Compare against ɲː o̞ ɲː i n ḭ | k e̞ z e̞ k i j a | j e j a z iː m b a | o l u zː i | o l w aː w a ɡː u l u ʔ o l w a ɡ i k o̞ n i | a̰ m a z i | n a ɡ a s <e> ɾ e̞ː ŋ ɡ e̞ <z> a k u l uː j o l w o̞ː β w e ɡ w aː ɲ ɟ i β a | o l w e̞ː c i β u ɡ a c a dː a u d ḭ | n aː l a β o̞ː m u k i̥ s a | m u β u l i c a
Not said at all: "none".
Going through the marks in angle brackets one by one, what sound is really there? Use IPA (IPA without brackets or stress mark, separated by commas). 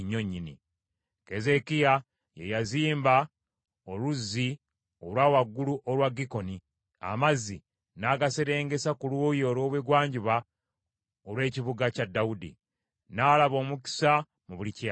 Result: e, s